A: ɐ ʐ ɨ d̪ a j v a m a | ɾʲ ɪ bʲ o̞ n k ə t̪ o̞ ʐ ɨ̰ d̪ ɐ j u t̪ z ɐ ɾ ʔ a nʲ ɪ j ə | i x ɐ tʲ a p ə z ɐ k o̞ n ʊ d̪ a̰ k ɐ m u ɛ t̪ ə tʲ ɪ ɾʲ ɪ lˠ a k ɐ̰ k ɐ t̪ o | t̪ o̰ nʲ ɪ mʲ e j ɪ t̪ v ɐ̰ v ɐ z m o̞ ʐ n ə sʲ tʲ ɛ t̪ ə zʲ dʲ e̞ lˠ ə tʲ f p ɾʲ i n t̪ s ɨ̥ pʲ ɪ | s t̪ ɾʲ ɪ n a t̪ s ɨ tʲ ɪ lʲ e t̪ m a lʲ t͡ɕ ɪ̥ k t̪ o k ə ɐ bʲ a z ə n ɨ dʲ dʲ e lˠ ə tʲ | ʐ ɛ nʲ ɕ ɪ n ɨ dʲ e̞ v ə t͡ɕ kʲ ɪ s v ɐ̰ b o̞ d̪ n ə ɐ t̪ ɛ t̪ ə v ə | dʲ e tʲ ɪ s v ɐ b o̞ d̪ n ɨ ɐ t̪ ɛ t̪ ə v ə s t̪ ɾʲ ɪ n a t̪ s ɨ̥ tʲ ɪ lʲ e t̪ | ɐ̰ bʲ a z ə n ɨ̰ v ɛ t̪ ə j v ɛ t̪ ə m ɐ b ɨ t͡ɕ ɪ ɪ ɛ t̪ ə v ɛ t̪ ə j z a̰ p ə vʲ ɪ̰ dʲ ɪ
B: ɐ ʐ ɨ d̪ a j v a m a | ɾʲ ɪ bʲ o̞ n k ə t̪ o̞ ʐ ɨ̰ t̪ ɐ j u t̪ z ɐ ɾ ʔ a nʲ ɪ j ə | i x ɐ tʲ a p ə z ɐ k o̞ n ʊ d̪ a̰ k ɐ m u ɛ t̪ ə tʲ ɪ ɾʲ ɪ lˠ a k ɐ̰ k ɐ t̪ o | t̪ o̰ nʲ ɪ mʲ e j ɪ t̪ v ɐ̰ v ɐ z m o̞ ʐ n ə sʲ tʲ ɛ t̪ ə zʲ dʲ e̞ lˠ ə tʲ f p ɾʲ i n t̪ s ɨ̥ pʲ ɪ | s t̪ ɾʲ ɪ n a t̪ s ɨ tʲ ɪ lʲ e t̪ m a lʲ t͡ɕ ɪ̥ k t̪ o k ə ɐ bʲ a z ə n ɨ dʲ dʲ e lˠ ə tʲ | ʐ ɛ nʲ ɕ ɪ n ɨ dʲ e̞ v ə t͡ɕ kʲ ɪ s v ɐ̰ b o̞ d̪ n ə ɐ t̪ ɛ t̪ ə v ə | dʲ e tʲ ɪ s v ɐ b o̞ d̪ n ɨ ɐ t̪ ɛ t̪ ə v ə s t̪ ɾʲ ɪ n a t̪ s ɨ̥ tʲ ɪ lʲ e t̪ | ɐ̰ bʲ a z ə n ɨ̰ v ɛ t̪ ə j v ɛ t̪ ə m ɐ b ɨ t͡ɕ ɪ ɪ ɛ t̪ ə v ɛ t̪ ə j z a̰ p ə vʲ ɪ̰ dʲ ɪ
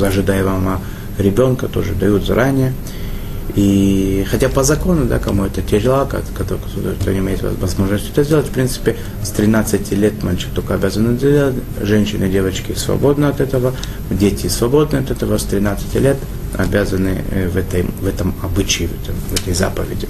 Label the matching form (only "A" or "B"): A